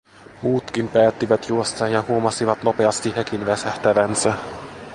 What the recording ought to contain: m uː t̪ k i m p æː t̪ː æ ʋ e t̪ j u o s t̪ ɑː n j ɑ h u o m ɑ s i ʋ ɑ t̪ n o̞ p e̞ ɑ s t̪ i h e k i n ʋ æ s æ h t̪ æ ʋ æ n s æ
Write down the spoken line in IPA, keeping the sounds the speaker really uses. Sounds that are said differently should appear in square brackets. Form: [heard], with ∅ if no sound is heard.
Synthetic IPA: m uː t̪ k i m p æː t̪ː [i] ʋ [æ] t̪ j u o s t̪ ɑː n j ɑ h u o m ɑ s i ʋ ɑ t̪ n o̞ p e̞ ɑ s t̪ i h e k i n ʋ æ s æ h t̪ æ ʋ æ n s æ